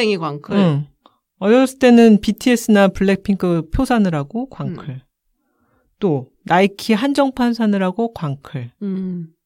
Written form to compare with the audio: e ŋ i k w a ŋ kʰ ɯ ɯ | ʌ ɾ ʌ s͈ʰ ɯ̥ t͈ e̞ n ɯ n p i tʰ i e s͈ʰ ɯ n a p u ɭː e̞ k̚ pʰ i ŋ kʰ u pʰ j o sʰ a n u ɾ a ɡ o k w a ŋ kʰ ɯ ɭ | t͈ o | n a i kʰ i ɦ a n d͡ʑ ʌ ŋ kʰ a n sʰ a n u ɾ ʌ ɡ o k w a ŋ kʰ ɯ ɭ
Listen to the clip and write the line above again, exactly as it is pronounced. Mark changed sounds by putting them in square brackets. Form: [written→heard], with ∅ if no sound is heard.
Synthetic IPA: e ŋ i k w a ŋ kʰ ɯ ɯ | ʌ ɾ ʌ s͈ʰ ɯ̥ t͈ e̞ n ɯ n p i tʰ i e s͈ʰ ɯ n a p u ɭː e̞ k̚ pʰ i ŋ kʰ [u→ɯ] pʰ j o sʰ a n [u→ɯ] ɾ a ɡ o k w a ŋ kʰ ɯ ɭ | t͈ o | n a i kʰ i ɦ a n d͡ʑ ʌ ŋ [kʰ→pʰ] a n sʰ a n [u→ɯ] ɾ [ʌ→a] ɡ o k w a ŋ kʰ ɯ ɭ